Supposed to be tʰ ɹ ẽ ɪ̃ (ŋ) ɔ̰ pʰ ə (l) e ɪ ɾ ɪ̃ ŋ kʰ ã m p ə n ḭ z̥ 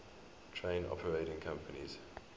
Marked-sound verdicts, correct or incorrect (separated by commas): incorrect, incorrect